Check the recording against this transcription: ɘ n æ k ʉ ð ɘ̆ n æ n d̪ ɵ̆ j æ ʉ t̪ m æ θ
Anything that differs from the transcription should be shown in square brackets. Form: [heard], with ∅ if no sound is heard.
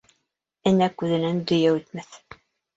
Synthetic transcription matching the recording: ɘ n æ k ʉ ð ɘ̆ n æ n d̪ ɵ̆ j æ ʉ t̪ m æ θ